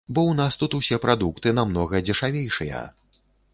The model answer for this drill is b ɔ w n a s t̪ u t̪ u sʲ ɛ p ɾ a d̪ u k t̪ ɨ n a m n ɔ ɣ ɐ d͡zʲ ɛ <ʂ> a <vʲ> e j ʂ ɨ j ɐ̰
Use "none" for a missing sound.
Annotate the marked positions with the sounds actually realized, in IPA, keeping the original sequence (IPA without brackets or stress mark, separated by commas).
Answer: ʂ, vʲ